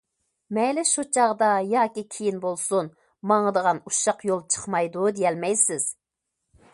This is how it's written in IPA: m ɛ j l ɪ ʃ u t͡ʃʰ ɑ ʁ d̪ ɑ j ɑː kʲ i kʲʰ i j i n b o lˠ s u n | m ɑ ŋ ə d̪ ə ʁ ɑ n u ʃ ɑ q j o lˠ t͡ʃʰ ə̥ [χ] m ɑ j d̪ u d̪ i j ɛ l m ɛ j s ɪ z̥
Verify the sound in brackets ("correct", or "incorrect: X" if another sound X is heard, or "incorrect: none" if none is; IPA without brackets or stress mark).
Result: correct